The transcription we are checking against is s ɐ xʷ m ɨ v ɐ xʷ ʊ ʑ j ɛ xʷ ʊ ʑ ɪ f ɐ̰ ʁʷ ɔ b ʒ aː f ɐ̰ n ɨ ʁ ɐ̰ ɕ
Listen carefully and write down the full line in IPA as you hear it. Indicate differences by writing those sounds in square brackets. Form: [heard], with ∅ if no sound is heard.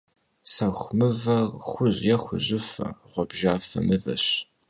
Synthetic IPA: s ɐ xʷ m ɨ v ɐ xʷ ʊ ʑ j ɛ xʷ ʊ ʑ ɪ f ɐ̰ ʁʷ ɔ b ʒ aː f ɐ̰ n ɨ [v] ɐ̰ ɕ